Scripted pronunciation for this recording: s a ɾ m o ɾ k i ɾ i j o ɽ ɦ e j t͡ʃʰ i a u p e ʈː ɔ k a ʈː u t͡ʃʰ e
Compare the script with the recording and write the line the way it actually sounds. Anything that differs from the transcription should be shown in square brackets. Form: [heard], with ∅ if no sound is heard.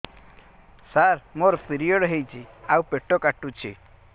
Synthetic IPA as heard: s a ɾ m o ɾ [p] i ɾ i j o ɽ ɦ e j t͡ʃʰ i a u p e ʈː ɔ k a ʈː u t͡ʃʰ [i]

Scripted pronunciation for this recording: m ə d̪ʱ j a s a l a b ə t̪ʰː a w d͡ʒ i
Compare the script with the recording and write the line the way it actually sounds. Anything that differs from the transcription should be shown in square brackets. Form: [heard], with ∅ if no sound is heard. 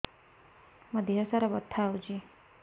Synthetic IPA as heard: m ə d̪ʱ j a s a [ɾ] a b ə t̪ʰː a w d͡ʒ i

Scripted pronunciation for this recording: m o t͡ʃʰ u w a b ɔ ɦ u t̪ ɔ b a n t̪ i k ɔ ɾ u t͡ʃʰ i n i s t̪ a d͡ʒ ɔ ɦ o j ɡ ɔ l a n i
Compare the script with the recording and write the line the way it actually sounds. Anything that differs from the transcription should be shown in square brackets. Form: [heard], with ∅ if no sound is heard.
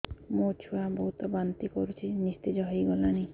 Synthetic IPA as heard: m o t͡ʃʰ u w a b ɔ ɦ u t̪ ɔ b a n t̪ i k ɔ ɾ u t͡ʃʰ i n i s t̪ [i] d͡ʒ ɔ ɦ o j ɡ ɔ l a n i

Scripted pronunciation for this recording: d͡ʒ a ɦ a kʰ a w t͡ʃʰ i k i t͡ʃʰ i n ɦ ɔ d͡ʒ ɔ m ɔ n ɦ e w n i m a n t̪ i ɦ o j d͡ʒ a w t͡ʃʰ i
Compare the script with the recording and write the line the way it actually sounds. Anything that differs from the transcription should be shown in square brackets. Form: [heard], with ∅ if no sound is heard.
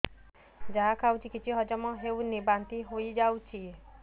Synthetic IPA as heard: d͡ʒ a ɦ a kʰ a w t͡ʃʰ i k i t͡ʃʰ i [∅] ɦ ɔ d͡ʒ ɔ m ɔ [∅] ɦ e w n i [b] a n t̪ i ɦ o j d͡ʒ a w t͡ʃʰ i

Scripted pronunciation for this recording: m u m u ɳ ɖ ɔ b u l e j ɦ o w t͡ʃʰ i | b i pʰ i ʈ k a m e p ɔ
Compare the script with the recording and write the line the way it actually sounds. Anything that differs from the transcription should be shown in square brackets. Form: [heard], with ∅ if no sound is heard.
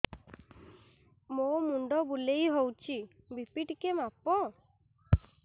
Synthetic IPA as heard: m [o] m u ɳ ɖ ɔ b u l e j ɦ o w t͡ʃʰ i | b i [p] i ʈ k [e] m [a] p ɔ

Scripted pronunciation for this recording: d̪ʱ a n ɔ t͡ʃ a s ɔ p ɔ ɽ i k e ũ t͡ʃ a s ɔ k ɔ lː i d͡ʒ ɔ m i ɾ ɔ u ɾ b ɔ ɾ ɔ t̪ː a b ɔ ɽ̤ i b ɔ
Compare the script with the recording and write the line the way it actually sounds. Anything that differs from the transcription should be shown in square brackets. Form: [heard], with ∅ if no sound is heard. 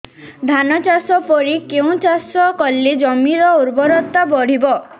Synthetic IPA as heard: d̪ʱ a n ɔ t͡ʃ a s ɔ p ɔ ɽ i k e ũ t͡ʃ a s ɔ k ɔ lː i d͡ʒ ɔ m i ɾ ɔ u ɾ b ɔ ɾ ɔ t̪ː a b ɔ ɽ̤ i b ɔ

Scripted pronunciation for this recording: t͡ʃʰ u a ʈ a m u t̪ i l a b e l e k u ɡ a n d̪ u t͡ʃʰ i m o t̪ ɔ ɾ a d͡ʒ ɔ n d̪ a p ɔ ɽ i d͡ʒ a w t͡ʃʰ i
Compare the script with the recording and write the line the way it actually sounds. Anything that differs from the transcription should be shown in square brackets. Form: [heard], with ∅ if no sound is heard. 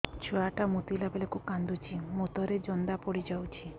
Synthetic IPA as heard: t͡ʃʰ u a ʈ a m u t̪ i l a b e l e k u [k] a n d̪ u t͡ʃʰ i m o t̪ ɔ ɾ [e] d͡ʒ ɔ n d̪ a p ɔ ɽ i d͡ʒ a w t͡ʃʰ i

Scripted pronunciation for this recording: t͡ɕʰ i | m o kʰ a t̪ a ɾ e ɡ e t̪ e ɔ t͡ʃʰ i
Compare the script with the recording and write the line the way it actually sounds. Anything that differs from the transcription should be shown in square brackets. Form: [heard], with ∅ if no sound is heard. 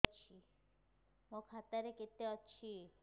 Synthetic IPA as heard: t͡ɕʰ i | m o kʰ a t̪ a ɾ e [k] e t̪ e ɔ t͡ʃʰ i

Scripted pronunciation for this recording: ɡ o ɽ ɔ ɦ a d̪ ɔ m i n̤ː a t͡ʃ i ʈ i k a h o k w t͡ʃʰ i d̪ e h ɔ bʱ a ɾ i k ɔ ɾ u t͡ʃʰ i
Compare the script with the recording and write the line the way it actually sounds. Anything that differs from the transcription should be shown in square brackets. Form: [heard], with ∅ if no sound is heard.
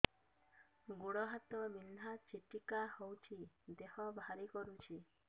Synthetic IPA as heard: ɡ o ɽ ɔ ɦ a [t̪] ɔ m i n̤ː a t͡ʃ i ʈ i k a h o [∅] w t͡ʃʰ i d̪ e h ɔ bʱ a ɾ i k ɔ ɾ u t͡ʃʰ i

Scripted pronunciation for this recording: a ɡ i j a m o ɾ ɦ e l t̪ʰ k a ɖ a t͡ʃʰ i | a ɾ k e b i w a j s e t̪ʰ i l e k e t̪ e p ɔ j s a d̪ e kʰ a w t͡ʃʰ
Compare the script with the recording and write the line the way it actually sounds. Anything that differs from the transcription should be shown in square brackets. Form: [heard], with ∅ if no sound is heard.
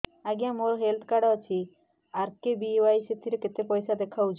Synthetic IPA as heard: a ɡ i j a m o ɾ ɦ e l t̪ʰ k a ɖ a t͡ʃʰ i | a ɾ k e b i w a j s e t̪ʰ i [ɾ] e k e t̪ e p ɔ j s a d̪ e kʰ a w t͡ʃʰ

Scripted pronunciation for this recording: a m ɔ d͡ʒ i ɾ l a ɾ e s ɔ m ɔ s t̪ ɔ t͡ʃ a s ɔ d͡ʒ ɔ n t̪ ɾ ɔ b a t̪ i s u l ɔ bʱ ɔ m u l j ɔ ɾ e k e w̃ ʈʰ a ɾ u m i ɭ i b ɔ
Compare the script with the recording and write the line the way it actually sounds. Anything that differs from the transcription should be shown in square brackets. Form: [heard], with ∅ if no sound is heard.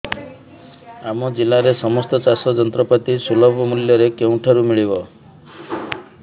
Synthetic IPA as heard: a m ɔ d͡ʒ i [∅] l a ɾ e s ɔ m ɔ s t̪ ɔ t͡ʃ a s ɔ d͡ʒ ɔ n t̪ ɾ ɔ [p] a t̪ i s u l ɔ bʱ ɔ m u l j ɔ ɾ e k e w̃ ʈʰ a ɾ u m i ɭ i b ɔ

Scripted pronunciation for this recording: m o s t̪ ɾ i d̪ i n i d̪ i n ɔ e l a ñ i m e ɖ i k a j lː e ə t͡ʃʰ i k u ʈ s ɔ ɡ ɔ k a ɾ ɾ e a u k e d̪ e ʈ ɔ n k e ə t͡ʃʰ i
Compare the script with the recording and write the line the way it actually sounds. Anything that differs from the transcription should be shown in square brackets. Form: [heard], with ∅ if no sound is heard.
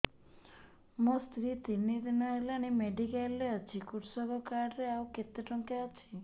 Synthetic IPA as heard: m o s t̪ ɾ i [t̪] i n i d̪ i n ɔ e l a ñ i m e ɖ i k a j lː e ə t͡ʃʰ i k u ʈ s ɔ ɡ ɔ k a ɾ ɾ e a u k e [t̪] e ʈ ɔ [ŋ] k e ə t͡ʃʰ i

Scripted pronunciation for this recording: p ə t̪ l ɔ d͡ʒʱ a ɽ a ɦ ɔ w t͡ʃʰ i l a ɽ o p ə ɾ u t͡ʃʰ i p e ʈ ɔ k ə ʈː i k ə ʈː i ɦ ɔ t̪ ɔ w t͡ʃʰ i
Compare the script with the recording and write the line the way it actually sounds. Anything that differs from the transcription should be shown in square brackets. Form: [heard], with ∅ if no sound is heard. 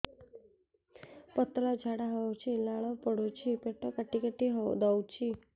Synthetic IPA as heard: p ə t̪ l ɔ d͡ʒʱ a ɽ a ɦ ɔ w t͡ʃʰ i l a [ɭ] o p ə [ɽ] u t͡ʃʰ i p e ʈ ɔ k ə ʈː i k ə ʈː i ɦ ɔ [d̪] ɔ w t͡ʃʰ i

